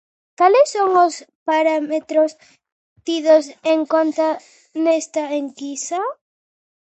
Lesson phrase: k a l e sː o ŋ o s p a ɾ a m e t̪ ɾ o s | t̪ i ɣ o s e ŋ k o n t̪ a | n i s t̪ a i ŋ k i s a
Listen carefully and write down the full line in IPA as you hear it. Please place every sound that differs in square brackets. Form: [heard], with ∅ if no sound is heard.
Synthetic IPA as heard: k a l e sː o ŋ o s p a ɾ a m e t̪ ɾ o s | t̪ i [ð] o s e ŋ k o n t̪ a | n [e] s t̪ a [e] ŋ k i s a